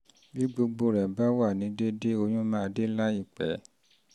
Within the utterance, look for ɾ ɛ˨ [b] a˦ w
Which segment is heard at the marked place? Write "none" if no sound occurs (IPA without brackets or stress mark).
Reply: b